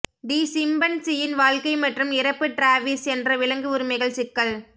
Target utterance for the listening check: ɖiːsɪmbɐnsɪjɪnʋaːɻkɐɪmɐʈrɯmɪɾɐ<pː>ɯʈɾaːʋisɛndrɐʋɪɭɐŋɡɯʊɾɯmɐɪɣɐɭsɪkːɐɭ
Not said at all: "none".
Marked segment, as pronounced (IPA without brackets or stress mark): pː